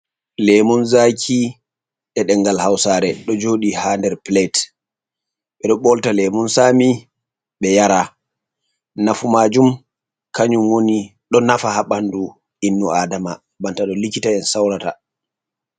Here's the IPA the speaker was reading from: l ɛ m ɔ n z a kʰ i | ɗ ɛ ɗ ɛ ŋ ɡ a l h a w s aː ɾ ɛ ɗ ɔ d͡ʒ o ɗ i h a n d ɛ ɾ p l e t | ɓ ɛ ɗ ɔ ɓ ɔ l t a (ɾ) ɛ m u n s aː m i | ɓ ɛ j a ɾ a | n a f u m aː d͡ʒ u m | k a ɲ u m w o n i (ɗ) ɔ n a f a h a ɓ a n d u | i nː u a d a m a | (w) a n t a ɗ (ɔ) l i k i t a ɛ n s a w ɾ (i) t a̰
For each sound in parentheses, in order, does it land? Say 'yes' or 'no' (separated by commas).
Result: no, yes, no, yes, no